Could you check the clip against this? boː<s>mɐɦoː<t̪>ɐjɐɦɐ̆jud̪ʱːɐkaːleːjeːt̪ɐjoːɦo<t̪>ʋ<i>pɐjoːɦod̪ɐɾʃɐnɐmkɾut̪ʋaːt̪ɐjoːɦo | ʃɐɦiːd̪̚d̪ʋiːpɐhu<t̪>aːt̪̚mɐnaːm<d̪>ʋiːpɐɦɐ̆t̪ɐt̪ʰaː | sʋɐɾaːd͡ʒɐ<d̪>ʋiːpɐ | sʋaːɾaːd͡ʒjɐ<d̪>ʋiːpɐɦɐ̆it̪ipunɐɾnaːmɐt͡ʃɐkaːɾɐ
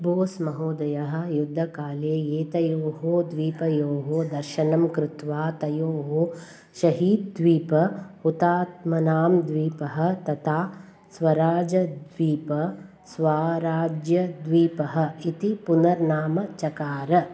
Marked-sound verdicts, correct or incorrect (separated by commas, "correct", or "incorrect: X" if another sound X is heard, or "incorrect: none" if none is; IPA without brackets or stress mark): correct, incorrect: d̪, incorrect: d̪, incorrect: iː, correct, correct, correct, correct